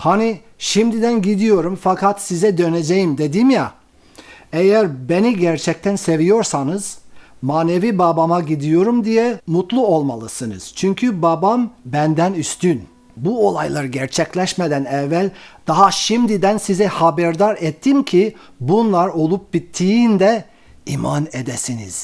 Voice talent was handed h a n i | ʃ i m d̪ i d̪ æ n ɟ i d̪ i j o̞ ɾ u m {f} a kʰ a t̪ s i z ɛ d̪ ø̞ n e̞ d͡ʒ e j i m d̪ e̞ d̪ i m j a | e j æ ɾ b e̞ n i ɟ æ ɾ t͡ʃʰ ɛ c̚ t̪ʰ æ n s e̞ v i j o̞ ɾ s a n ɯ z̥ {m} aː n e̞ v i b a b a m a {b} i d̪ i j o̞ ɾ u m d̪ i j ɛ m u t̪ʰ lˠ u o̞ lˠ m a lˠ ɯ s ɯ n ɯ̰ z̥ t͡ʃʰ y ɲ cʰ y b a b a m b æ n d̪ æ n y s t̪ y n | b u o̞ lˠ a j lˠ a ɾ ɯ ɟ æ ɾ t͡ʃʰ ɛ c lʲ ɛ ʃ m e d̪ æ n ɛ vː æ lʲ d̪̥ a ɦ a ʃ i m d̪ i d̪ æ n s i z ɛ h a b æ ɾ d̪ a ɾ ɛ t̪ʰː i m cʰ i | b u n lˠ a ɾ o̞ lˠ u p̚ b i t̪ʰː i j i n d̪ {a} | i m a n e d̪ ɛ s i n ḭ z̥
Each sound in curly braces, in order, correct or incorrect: correct, correct, incorrect, incorrect

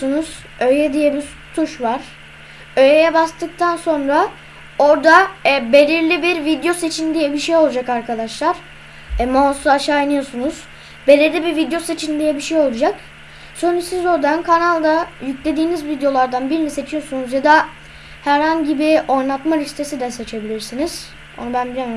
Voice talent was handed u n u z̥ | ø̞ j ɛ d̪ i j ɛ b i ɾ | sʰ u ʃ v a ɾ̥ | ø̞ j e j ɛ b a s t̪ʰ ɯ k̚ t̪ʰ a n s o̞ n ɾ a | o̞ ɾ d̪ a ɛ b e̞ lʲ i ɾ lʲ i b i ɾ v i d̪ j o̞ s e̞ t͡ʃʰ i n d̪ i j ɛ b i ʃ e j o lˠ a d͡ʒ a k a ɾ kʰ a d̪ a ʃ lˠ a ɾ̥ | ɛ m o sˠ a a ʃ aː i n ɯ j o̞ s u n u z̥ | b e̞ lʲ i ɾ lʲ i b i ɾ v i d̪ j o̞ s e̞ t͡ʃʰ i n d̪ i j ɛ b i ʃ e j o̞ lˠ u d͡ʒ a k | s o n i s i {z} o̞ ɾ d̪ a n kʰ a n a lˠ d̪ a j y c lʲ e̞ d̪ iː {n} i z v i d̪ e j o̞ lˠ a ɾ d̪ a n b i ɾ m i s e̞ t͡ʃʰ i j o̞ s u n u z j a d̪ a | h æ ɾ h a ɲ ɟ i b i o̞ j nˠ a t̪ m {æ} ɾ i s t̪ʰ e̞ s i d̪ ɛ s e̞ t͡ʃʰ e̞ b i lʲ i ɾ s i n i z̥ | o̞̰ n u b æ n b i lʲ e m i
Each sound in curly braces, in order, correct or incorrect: correct, correct, incorrect

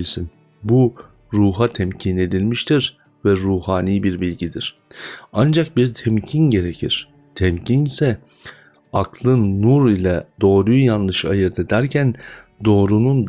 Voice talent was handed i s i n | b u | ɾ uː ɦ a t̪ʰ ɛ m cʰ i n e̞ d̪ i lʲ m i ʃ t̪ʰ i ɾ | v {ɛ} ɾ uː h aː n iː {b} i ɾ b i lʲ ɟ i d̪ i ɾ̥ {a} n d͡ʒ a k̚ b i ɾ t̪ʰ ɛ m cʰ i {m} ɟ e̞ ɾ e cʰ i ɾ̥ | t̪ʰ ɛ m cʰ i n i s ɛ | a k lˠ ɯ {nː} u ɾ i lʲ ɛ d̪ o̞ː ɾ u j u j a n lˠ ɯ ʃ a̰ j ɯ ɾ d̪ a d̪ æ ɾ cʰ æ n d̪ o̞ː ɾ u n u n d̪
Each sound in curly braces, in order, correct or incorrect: correct, correct, correct, incorrect, correct

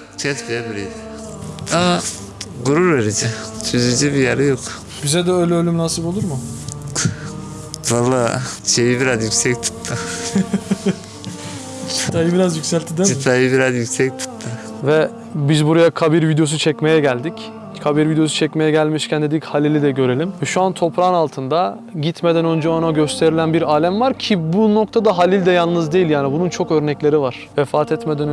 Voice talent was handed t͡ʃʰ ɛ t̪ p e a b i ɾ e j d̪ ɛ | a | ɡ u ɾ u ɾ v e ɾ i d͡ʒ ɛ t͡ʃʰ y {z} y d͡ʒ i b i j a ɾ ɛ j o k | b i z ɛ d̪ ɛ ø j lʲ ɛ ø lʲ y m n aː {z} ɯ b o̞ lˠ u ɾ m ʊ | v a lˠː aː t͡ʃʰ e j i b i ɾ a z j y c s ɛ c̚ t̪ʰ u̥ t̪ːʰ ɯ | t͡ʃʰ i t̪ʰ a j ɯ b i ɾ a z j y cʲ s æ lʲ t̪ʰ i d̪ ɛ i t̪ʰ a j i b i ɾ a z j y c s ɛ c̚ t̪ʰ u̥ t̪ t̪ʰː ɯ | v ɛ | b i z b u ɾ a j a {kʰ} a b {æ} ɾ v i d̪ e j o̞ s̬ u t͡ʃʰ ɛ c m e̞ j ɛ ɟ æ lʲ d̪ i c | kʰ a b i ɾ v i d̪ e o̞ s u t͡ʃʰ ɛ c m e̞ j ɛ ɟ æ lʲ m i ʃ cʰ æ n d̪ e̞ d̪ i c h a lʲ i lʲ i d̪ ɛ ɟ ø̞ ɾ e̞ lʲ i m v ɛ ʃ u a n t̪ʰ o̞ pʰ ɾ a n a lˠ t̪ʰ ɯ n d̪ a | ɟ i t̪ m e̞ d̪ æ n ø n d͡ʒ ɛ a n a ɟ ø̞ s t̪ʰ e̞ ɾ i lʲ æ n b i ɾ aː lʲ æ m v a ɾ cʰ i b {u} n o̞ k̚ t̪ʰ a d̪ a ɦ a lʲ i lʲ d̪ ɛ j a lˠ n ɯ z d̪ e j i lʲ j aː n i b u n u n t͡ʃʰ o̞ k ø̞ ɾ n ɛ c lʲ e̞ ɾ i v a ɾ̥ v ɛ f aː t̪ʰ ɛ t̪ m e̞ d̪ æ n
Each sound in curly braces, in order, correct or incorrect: correct, incorrect, correct, incorrect, correct

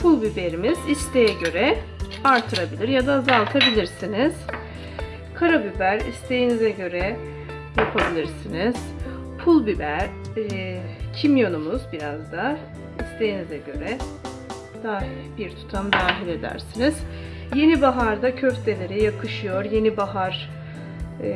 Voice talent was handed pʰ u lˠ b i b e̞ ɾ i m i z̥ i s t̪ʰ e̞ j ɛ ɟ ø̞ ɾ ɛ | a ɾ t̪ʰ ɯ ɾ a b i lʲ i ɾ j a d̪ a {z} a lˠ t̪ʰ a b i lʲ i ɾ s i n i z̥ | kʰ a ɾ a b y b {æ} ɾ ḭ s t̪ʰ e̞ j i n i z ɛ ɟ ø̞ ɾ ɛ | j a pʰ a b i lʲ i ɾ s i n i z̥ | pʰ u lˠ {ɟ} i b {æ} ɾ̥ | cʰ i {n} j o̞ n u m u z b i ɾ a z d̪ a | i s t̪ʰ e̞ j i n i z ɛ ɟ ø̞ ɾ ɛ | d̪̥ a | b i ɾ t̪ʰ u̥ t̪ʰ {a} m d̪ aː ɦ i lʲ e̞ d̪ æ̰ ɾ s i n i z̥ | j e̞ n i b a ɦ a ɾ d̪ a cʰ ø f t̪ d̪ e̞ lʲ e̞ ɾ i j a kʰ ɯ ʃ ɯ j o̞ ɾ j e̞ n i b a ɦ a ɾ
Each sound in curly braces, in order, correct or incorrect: correct, correct, incorrect, correct, incorrect, correct

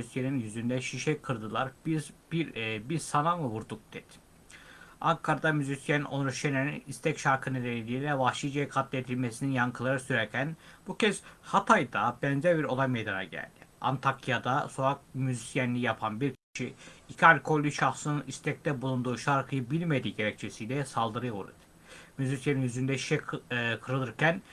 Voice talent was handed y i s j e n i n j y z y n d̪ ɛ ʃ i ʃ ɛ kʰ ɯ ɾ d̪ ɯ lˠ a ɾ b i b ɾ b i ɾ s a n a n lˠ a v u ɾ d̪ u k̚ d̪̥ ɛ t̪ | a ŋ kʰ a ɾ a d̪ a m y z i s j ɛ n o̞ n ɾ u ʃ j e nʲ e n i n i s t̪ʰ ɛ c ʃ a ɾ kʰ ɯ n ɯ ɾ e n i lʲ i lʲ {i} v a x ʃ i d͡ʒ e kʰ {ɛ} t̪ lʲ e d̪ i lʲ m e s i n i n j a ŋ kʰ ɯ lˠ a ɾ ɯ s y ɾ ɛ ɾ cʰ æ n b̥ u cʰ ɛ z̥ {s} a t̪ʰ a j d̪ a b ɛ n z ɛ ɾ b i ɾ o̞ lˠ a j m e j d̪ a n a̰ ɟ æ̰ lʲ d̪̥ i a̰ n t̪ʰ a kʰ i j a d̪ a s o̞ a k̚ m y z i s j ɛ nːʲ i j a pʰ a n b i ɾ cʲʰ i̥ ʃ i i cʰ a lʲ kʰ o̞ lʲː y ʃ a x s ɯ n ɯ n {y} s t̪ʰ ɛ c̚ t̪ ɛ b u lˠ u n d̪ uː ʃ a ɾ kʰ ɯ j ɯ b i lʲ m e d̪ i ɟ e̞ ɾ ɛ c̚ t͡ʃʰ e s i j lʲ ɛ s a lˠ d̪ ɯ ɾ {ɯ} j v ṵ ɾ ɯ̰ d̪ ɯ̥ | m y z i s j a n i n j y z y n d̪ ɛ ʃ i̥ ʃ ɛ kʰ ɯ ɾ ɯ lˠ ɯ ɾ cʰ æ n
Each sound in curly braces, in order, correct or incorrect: incorrect, incorrect, incorrect, incorrect, correct

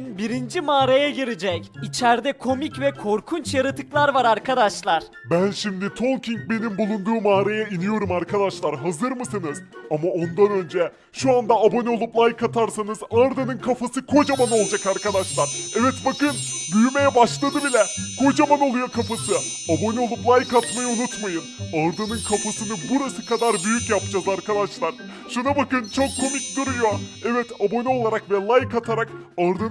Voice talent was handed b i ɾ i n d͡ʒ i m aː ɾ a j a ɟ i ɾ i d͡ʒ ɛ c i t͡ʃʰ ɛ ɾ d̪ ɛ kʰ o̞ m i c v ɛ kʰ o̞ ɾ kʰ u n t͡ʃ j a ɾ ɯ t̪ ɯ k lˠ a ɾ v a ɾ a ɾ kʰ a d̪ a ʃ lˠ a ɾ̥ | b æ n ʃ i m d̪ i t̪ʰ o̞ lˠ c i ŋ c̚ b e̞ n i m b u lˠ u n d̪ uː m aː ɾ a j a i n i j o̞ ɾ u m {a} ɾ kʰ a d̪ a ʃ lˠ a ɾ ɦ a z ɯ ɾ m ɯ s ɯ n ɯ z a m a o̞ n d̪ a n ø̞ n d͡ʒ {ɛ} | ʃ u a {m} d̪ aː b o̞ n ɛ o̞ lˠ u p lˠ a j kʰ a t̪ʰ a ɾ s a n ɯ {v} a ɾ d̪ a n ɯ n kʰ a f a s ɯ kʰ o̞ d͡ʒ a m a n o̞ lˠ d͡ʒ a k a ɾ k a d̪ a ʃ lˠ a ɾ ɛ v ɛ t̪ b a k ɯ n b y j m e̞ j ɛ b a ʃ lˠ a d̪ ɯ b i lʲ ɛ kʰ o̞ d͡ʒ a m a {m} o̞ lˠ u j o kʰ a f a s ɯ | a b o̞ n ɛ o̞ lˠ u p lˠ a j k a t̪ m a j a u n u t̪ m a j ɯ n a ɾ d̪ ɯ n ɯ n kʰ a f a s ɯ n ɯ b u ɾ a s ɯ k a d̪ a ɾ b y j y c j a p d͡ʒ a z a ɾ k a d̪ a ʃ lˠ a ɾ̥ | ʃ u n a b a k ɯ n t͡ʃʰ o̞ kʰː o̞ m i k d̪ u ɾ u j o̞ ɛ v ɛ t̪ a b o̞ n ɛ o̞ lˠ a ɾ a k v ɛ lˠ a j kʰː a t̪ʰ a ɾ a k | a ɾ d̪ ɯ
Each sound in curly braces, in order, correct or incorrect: correct, correct, incorrect, incorrect, incorrect

